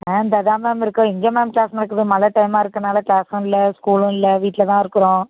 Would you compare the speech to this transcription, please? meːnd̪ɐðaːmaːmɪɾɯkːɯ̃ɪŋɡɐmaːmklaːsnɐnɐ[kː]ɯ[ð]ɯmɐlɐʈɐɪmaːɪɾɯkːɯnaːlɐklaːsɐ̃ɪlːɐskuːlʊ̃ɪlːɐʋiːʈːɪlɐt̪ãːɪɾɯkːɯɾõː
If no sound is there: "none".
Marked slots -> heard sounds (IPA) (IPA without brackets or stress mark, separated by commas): kː, ð